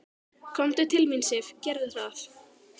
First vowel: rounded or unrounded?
rounded